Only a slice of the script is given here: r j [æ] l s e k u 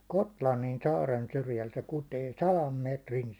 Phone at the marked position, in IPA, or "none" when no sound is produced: æ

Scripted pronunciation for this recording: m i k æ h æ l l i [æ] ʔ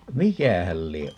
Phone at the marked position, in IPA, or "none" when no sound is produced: e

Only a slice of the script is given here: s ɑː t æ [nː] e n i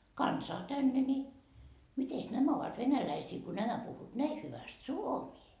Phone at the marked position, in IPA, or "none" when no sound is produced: nː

